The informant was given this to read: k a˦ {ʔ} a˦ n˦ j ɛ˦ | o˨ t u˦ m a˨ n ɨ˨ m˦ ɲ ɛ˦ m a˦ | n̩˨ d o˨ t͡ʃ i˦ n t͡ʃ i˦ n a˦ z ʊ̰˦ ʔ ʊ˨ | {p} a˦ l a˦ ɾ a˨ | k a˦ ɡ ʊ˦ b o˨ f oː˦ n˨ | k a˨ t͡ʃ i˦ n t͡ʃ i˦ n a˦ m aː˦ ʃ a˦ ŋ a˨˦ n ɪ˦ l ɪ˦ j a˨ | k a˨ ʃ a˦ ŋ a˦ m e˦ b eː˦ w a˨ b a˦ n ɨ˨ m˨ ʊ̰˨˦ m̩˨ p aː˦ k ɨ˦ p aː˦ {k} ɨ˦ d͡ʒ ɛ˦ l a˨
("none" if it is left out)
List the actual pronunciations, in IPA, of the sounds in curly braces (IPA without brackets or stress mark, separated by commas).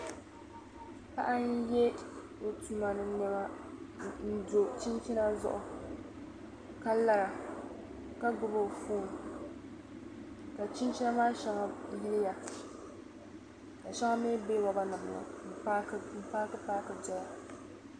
ʔ, k, k